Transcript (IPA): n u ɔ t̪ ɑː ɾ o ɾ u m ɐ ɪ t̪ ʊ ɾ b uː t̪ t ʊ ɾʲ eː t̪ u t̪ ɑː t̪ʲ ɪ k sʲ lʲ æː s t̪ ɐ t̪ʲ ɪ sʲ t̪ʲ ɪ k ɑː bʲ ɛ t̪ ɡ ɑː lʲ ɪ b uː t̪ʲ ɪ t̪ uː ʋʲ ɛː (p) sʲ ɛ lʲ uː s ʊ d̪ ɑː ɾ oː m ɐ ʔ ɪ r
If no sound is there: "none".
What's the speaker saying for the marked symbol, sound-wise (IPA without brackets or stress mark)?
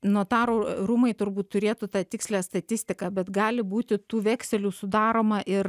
k